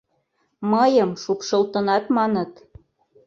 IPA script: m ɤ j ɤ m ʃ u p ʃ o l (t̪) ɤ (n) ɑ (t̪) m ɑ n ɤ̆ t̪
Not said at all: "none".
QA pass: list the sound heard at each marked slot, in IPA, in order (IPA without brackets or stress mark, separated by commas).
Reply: t̪, n, t̪